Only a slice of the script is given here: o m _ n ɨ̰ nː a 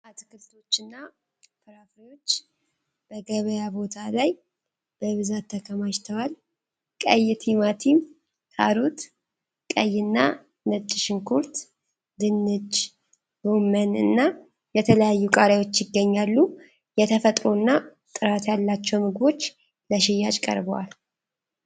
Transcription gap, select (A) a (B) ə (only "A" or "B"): B